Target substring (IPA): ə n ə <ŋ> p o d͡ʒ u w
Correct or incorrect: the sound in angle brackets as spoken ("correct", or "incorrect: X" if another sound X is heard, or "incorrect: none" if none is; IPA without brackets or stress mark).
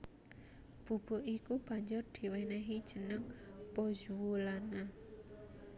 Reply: correct